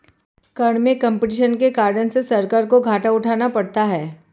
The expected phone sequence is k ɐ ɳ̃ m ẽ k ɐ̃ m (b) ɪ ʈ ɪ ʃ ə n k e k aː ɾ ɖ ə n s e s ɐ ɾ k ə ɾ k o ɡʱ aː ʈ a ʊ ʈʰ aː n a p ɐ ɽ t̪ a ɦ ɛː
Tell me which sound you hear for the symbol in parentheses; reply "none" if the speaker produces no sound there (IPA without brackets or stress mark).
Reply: p